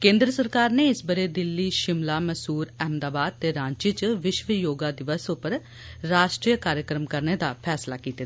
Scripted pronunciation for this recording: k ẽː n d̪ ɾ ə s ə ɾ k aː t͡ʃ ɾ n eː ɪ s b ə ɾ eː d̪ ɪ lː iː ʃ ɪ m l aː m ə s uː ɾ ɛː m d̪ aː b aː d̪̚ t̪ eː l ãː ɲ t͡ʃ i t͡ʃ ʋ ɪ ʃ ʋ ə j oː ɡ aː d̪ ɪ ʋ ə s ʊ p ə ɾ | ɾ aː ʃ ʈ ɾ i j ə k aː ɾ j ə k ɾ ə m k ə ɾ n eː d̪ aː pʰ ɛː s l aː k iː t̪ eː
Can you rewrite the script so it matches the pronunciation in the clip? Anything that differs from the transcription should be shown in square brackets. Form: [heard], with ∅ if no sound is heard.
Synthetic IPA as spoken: k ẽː n d̪ ɾ ə s ə ɾ k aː [∅] ɾ n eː ɪ s b ə ɾ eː d̪ ɪ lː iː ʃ ɪ m l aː m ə s uː ɾ ɛː m d̪ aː b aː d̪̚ t̪ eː [ɾ] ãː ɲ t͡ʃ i t͡ʃ ʋ ɪ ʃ ʋ ə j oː ɡ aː d̪ ɪ ʋ ə s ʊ p ə ɾ | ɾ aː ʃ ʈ ɾ i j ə k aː ɾ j ə k ɾ ə m k ə ɾ n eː d̪ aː pʰ ɛː s l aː k iː t̪ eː